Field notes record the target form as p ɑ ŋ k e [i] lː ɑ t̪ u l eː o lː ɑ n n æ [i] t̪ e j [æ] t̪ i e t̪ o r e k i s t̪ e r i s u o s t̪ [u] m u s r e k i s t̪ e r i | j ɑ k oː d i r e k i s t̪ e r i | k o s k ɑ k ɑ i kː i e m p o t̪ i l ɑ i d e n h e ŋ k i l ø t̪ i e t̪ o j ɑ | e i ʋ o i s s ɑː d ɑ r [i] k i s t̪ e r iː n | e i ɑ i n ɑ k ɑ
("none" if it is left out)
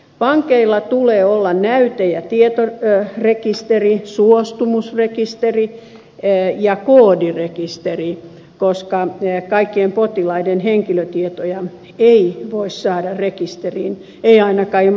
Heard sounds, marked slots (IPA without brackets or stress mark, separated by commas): i, y, æ, u, e